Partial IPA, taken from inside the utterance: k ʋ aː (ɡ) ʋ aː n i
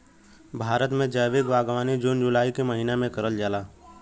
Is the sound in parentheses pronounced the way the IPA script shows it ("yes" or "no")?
yes